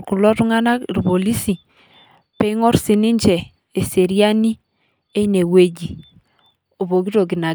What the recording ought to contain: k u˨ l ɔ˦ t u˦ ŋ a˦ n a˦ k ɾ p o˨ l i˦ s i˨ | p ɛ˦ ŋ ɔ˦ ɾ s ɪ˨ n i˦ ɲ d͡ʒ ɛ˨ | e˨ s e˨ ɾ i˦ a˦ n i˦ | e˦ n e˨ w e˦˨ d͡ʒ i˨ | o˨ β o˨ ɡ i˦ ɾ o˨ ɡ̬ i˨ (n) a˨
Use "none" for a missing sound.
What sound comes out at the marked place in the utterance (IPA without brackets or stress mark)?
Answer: n